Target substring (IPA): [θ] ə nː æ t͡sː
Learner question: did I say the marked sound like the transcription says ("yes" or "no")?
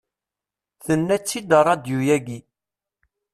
yes